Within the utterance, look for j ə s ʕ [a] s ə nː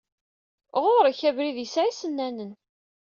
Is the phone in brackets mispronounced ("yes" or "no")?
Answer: yes